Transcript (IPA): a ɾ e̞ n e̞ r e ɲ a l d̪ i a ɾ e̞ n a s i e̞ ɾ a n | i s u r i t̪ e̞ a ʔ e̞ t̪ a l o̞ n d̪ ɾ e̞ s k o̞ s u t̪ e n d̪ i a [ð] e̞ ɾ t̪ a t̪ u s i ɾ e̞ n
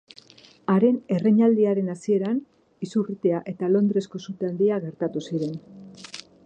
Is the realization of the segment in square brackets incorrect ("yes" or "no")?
yes